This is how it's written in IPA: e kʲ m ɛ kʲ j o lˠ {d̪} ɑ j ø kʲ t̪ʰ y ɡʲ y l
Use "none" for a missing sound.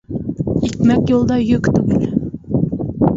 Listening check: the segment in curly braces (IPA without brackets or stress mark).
d̪